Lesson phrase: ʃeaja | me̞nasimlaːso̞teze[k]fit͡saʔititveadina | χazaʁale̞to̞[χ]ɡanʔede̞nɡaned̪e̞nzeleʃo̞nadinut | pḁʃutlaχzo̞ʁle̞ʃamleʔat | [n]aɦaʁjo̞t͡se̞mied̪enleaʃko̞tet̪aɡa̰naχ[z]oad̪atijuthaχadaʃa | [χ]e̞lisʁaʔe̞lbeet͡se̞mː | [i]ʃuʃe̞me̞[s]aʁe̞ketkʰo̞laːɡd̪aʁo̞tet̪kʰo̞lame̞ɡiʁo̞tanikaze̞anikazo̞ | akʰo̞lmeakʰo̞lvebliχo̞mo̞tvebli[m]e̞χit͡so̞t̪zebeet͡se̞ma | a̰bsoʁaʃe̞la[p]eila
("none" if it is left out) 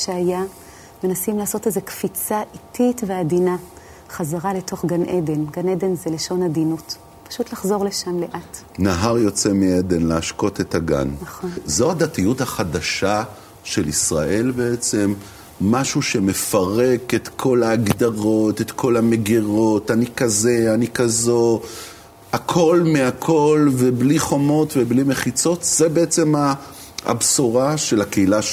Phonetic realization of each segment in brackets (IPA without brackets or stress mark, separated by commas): k, χ, n, z, ʃ, a, f, m, k